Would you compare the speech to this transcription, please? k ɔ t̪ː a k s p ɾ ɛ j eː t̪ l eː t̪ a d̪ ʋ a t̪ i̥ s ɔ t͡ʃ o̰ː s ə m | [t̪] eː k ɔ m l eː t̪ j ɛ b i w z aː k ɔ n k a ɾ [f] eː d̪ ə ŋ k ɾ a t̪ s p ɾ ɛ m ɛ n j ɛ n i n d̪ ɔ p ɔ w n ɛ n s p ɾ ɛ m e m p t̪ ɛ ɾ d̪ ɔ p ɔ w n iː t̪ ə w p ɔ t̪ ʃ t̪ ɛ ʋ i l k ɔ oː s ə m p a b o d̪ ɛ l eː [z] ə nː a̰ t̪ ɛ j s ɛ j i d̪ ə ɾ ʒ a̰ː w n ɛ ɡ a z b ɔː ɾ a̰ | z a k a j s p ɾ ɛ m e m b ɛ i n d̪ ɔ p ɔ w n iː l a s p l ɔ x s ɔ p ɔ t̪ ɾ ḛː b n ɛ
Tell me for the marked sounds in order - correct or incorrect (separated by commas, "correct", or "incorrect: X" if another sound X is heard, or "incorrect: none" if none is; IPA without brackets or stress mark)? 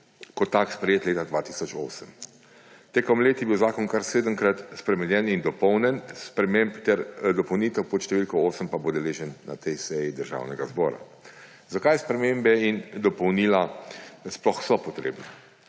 correct, incorrect: s, incorrect: ʒ